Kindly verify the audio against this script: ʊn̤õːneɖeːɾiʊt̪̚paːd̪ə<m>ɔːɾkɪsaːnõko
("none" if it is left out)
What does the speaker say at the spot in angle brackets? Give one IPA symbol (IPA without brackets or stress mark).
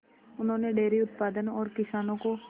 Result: n